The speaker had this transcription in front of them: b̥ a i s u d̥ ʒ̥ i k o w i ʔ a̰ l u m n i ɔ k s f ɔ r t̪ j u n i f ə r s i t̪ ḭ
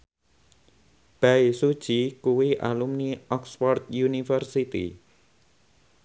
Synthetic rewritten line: b̥ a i s u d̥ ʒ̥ i k u w i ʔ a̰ l u m n i ɔ k s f ɔ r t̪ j u n i f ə r s i t̪ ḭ

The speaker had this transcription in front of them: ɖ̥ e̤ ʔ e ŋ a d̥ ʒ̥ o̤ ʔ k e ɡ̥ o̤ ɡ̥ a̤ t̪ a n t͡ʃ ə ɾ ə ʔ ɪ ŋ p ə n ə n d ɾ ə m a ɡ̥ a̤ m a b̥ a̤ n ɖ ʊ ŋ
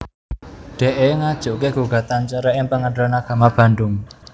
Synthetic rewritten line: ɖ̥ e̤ ʔ e ŋ a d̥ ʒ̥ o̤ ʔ k e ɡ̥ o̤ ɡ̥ a̤ t̪ a n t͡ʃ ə ɾ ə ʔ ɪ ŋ p ə ŋ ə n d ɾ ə n a ɡ̥ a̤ m a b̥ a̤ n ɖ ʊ ŋ

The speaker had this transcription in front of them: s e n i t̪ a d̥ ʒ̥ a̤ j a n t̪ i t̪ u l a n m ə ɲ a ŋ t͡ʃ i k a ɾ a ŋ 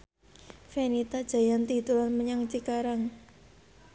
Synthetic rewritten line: f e n i t̪ a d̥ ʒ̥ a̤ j a n t̪ i t̪ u l a n m ə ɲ a ŋ t͡ʃ i k a ɾ a ŋ

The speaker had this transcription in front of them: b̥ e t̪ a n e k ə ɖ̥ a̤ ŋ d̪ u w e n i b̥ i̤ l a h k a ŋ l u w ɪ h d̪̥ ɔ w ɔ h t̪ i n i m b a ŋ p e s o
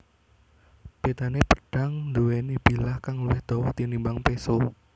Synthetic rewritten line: b̥ e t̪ a n e p ə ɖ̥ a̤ ŋ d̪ u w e n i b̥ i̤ l a h k a ŋ l u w ɪ h d̪̥ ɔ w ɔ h t̪ i n i m b a ŋ p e s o

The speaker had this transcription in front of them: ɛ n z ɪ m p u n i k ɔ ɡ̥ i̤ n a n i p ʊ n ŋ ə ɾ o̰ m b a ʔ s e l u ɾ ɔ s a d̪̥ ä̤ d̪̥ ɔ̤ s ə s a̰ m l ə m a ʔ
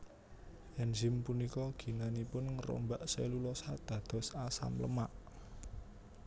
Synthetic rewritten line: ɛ n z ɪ m p u n i k ɔ ɡ̥ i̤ n a n i p ʊ n ŋ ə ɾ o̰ m b a ʔ s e l u l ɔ s a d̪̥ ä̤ d̪̥ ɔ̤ s a s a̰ m l ə m a ʔ

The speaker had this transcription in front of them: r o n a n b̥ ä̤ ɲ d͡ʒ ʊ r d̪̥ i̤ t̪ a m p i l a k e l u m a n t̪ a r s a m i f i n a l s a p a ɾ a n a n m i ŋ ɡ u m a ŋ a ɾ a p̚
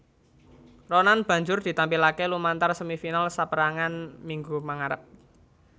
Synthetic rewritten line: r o n a n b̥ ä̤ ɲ d͡ʒ ʊ r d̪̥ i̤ t̪ a m p i l a k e l u m a n t̪ a r s ə m i f i n a l s a p ə ɾ a ŋ a n m i ŋ ɡ u m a ŋ a ɾ ə p̚

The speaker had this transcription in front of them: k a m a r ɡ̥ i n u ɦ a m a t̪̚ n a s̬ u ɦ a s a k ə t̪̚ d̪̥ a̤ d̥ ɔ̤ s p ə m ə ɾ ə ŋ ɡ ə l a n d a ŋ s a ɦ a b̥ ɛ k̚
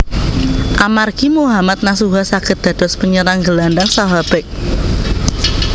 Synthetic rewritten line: ʔ a m a r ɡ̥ i m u ɦ a m a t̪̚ n a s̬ u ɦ a s a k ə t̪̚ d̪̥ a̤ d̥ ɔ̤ s p ə ɲ ə ɾ a ŋ ɡ ə l a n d a ŋ s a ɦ a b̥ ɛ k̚

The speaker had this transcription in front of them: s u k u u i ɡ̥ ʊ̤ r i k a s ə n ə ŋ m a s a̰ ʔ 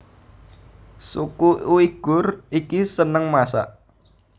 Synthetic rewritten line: s u k u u i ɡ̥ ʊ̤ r i k i s ə n ə ŋ m a s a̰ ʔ

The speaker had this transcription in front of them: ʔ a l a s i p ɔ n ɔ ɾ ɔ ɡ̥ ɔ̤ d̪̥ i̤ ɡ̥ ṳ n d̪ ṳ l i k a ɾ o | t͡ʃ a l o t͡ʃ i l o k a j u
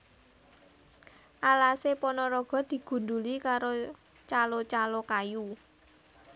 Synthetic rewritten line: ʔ a l a s e p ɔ n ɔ ɾ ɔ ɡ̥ ɔ̤ d̪̥ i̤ ɡ̥ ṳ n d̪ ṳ l i k a ɾ o | t͡ʃ a l o t͡ʃ a l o k a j u

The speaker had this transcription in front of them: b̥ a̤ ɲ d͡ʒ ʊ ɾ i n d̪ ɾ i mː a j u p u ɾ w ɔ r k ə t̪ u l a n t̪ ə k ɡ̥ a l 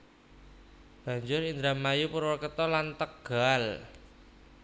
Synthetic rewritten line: b̥ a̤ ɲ d͡ʒ ʊ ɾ i n d̪ ɾ a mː a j u p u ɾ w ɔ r k ə t̪ ɔ l a n t̪ ə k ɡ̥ a l

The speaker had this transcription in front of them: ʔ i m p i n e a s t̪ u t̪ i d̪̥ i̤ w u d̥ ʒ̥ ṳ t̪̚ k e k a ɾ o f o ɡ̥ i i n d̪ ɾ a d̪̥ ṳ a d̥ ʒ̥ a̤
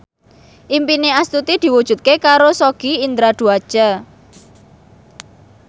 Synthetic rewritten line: ʔ i m p i n e a s t̪ u t̪ i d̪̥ i̤ w u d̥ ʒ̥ ṳ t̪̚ k e k a ɾ o s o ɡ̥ i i n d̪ ɾ a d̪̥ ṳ a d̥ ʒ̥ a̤

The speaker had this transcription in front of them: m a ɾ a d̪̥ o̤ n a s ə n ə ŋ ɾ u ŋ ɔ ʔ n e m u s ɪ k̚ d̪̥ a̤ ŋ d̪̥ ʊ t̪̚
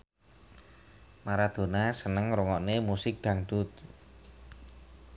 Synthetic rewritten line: m a ɾ a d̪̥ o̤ n a s ə n ə ŋ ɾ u ŋ ɔ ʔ n e m u s ɪ k̚ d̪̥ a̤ ŋ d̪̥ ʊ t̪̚

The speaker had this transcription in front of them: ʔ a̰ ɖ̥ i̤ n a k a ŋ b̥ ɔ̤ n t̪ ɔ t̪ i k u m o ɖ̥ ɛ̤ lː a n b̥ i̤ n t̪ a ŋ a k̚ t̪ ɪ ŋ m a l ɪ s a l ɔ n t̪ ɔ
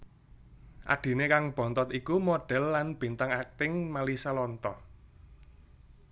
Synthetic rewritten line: ʔ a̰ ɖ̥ i̤ n e k a ŋ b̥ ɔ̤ n t̪ ɔ t̪ i k u m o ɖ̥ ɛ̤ lː a n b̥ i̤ n t̪ a ŋ a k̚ t̪ ɪ ŋ m a l i s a l ɔ n t̪ ɔ

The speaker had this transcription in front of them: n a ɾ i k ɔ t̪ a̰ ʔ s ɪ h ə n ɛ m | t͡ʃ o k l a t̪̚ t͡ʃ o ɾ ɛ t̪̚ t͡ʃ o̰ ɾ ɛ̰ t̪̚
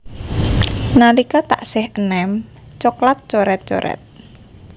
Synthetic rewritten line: n a l i k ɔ t̪ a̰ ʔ s ɪ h ə n ɛ m | t͡ʃ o k l a t̪̚ t͡ʃ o ɾ ɛ t̪̚ t͡ʃ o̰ ɾ ɛ̰ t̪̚

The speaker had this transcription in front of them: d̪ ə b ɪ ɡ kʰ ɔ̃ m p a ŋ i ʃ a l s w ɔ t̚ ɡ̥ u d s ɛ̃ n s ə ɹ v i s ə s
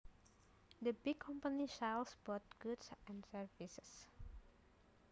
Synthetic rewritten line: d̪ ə b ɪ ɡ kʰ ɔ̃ m p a n i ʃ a l s b ɔ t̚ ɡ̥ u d s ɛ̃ n s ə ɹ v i s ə s

